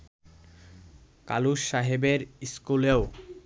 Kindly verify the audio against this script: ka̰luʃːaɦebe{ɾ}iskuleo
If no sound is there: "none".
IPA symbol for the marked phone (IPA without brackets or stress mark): ɾ